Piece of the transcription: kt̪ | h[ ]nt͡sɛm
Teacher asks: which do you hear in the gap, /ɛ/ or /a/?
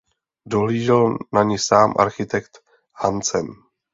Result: a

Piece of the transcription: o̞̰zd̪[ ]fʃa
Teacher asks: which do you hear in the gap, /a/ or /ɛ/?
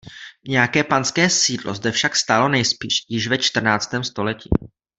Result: ɛ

